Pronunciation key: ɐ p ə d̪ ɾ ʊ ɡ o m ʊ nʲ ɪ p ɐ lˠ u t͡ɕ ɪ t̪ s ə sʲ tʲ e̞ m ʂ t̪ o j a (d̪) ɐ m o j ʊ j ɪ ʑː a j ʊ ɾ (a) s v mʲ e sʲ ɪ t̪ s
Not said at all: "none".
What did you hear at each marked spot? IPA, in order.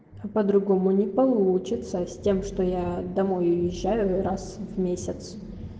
d̪, a

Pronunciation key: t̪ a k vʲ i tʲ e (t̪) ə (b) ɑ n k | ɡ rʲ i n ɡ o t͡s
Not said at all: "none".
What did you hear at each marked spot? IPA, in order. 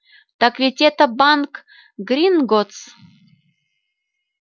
t̪, b

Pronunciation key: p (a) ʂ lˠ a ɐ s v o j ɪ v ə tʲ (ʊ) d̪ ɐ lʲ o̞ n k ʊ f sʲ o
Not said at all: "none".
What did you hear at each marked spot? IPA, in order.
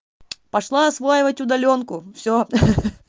ɐ, ʊ

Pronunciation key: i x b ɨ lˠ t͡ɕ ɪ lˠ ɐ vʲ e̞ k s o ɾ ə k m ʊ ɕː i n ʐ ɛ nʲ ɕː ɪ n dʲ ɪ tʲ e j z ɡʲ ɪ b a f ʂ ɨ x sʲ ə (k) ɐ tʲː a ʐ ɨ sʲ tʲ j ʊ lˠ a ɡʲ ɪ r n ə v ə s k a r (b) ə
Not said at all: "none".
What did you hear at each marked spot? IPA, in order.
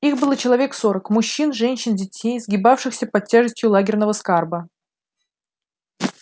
p, b

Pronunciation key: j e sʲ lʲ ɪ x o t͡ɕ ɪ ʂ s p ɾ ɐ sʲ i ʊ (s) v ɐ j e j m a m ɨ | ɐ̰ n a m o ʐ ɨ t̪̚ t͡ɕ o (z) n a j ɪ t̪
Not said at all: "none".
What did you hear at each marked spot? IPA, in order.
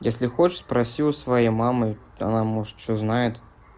s, z

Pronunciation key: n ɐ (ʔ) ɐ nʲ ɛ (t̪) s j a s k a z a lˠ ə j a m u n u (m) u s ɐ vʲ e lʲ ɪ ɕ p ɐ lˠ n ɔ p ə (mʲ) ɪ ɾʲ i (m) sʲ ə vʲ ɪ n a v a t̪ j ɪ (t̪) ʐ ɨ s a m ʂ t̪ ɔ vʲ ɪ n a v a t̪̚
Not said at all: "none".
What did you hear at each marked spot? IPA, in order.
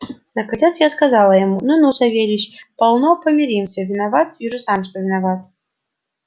k, t̪, n, mʲ, m, none

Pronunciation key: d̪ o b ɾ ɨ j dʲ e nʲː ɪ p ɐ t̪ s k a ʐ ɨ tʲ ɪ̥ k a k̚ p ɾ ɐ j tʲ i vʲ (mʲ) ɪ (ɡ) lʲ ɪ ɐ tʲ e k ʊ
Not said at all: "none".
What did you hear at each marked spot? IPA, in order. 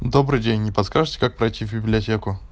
bʲ, b

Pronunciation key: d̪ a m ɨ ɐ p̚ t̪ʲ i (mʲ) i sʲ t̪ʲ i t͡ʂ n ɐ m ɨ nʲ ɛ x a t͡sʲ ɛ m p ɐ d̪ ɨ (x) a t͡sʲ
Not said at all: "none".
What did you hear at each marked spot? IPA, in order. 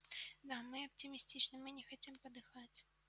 mʲ, x

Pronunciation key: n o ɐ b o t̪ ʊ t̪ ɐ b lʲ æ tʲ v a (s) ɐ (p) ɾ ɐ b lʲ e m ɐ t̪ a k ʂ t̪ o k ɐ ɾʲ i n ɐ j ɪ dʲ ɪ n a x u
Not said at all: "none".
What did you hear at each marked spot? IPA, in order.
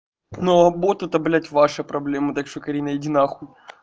ʂ, p

